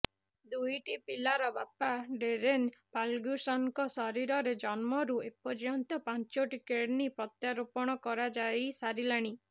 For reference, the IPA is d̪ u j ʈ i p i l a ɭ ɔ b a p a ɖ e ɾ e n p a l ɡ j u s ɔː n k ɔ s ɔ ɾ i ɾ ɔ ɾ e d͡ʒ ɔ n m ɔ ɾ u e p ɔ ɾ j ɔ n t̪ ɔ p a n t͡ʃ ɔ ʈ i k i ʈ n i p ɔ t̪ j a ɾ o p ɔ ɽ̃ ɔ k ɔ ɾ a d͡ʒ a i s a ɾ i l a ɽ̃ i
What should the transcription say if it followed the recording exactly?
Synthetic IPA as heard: d̪ u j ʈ i p i l a ɾ ɔ b a p a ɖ e ɾ e n p a l ɡ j u s ɔ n k ɔ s ɔ ɾ i ɾ ɔ ɾ e d͡ʒ ɔ n m ɔ ɾ u e p ɔ ɾ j ɔ n t̪ ɔ p a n t͡ʃ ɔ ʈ i k e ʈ n i p ɔ t̪ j a ɾ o p ɔ ɽ̃ ɔ k ɔ ɾ a d͡ʒ a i s a ɾ i l a ɽ̃ i

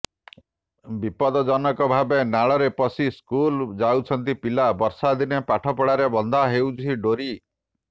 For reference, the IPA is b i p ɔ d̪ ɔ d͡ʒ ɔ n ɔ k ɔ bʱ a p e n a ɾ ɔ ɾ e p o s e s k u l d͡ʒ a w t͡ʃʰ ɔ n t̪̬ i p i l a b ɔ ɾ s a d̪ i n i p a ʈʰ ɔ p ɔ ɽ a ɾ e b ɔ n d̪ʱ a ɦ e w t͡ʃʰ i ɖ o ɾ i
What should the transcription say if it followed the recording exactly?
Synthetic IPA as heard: b i p ɔ d̪ ɔ d͡ʒ ɔ n ɔ k ɔ bʱ a b e n a ɭ ɔ ɾ e p ɔ s i s k u l d͡ʒ a w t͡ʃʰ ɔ n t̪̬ i p i l a b ɔ ɾ s a d̪ i n e p a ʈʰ ɔ p ɔ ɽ a ɾ e b ɔ n d̪ʱ a ɦ e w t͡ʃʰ i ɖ o ɾ i

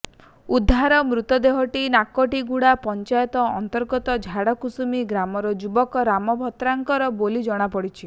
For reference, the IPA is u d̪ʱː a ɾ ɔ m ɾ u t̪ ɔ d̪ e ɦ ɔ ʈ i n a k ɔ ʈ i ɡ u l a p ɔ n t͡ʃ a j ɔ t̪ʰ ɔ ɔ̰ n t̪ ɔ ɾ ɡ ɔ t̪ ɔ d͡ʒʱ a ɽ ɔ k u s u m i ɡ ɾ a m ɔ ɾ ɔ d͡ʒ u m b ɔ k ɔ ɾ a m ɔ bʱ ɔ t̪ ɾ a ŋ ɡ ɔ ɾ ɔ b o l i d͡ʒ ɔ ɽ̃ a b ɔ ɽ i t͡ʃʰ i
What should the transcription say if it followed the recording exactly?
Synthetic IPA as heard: u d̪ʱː a ɾ ɔ m ɾ u t̪ ɔ d̪ e ɦ ɔ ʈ i n a k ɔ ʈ i ɡ u ɽ a p ɔ n t͡ʃ a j ɔ t̪ ɔ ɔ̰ n t̪ ɔ ɾ ɡ ɔ t̪ ɔ d͡ʒʱ a ɽ ɔ k u s u m i ɡ ɾ a m ɔ ɾ ɔ d͡ʒ u b ɔ k ɔ ɾ a m ɔ bʱ ɔ t̪ ɾ a ŋ k ɔ ɾ ɔ b o l i d͡ʒ ɔ ɽ̃ a p ɔ ɽ i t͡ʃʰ i

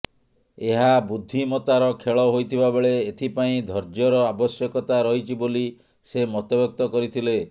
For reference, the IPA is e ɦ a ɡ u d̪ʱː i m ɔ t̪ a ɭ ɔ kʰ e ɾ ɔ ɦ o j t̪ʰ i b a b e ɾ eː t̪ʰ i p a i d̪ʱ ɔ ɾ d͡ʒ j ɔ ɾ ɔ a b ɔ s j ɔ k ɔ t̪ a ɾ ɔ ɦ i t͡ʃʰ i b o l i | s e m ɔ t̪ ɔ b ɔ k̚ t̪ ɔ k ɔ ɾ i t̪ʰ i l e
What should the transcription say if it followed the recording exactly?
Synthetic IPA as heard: e ɦ a b u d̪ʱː i m ɔ t̪ a ɾ ɔ kʰ e ɭ ɔ ɦ o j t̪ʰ i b a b e ɭ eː t̪ʰ i p a ĩ d̪ʱ ɔ ɾ d͡ʒ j ɔ ɾ ɔ a b ɔ s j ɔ k ɔ t̪ a ɾ ɔ ɦ i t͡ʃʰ i b o l i | s e m ɔ t̪ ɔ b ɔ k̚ t̪ ɔ k ɔ ɾ i t̪ʰ i l e

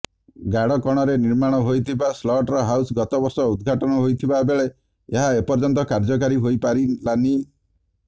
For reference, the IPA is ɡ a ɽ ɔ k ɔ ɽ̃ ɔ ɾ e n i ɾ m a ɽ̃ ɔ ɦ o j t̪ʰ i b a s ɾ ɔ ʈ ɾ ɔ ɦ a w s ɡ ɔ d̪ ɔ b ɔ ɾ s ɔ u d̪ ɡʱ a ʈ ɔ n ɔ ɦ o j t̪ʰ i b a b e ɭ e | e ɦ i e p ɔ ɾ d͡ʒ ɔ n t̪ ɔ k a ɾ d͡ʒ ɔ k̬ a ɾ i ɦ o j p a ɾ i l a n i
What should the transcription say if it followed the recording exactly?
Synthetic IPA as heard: ɡ a ɽ ɔ k ɔ ɽ̃ ɔ ɾ e n i ɾ m a ɽ̃ ɔ ɦ o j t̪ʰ i b a s l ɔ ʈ ɾ ɔ ɦ a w s ɡ ɔ t̪ ɔ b ɔ ɾ s ɔ u d̪ ɡʱ a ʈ ɔ n ɔ ɦ o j t̪ʰ i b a b e ɭ e | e ɦ a e p ɔ ɾ d͡ʒ ɔ n t̪ ɔ k a ɾ d͡ʒ ɔ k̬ a ɾ i ɦ o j p a ɾ i l a n i

